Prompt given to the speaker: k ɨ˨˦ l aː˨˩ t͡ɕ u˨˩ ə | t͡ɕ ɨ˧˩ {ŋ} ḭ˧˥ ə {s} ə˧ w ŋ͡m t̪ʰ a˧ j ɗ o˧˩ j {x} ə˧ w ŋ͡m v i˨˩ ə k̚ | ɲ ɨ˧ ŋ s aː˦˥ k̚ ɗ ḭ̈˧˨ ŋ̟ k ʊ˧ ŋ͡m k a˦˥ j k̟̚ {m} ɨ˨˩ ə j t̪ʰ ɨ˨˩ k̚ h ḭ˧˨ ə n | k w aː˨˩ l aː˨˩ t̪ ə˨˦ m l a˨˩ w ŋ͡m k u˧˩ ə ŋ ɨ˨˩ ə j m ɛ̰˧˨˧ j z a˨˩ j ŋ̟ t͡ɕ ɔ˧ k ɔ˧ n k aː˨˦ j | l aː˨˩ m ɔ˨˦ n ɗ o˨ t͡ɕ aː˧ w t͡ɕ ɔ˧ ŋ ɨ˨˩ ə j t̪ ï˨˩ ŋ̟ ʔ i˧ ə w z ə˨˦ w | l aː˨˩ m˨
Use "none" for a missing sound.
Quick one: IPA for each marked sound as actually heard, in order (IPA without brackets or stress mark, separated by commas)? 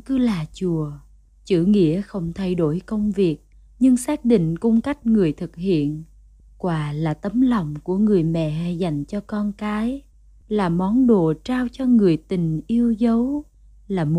ŋ, x, k, ŋ